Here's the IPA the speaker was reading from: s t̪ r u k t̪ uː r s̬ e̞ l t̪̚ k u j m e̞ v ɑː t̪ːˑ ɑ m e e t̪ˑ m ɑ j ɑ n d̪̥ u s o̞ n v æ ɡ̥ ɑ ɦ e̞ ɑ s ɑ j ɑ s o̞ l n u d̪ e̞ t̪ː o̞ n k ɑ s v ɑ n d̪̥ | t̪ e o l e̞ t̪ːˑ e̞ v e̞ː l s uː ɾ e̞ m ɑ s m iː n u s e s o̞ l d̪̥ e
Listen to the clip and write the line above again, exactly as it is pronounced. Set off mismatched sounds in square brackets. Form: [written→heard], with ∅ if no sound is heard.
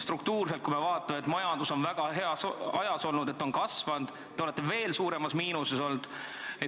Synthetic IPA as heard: s t̪ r u k t̪ uː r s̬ e̞ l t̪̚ k u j m e̞ v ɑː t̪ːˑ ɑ m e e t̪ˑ m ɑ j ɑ n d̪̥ u s o̞ n v æ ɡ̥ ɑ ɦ e̞ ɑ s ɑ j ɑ s o̞ l n u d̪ e̞ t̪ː o̞ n k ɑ s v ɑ n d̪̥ | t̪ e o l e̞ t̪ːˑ e̞ v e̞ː l s uː ɾ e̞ m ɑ s m iː n u s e s o̞ l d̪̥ e